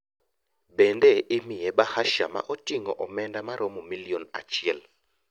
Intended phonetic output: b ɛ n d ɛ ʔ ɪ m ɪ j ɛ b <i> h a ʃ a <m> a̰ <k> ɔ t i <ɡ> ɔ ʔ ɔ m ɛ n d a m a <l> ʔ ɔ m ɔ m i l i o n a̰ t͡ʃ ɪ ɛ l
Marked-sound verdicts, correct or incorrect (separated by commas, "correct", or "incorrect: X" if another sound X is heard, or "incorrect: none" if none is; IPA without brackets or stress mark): incorrect: a, correct, incorrect: ʔ, incorrect: ŋ, incorrect: ɾ